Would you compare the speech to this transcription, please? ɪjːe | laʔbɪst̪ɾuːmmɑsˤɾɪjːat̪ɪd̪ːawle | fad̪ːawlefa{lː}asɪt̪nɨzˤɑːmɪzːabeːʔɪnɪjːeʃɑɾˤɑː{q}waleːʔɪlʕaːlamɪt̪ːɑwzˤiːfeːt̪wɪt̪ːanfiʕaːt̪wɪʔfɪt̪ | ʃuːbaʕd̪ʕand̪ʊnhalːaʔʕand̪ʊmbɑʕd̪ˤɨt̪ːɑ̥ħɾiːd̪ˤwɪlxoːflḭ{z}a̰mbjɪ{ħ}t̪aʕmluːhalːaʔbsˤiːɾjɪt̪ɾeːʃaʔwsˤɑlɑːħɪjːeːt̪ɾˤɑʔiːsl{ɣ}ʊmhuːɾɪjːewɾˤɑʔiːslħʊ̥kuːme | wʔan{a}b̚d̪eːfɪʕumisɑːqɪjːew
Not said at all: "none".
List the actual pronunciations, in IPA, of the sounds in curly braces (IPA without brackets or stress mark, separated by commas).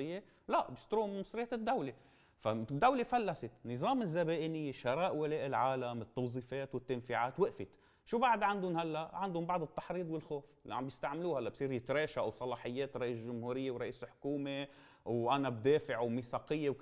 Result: lː, ʔ, ʕ, s, ʒ, a